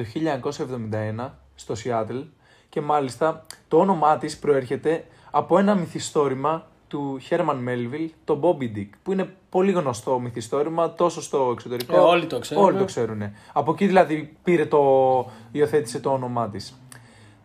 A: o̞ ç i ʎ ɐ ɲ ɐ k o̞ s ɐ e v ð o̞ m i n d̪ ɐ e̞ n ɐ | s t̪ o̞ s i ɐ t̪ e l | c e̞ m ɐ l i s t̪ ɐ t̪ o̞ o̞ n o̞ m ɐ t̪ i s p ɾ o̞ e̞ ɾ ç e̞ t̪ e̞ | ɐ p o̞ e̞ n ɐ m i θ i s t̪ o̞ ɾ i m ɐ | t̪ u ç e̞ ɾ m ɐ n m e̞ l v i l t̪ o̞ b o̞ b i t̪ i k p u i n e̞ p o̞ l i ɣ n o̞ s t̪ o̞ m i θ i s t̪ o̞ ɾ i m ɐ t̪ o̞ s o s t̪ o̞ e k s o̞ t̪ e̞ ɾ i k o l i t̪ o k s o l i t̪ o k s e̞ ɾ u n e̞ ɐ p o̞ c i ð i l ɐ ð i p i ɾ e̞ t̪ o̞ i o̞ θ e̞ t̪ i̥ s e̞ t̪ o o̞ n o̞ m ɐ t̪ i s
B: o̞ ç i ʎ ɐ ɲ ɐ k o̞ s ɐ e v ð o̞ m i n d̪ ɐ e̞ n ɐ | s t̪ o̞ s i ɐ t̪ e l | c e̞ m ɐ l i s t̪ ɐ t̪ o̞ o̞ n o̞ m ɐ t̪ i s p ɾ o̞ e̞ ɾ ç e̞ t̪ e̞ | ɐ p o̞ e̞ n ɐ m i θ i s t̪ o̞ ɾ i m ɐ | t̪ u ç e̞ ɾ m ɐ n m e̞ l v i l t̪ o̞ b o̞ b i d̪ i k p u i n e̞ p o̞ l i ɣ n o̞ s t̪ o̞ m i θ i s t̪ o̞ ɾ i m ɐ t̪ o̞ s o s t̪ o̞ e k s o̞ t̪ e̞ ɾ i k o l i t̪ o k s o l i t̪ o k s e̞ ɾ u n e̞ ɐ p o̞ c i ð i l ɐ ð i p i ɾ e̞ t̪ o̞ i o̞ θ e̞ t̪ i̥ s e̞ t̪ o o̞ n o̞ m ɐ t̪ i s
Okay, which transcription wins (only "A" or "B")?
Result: B